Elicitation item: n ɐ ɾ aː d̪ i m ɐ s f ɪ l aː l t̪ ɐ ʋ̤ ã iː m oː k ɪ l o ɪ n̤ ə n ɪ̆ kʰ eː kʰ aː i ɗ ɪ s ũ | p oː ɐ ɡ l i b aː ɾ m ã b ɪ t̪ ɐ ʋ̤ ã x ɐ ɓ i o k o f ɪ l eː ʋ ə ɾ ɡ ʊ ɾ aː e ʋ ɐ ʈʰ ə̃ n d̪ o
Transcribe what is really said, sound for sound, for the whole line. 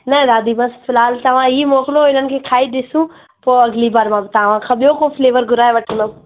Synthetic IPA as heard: n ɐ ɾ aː d̪ i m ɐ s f ɪ l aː l t̪ ɐ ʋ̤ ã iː m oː k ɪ l o ɪ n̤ ə n ɪ̆ kʰ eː kʰ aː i ɗ ɪ s ũ | p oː ɐ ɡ l i b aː ɾ m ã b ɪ t̪ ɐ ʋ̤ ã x ɐ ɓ j o k o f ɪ l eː ʋ ə ɾ ɡ ʊ ɾ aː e ʋ ɐ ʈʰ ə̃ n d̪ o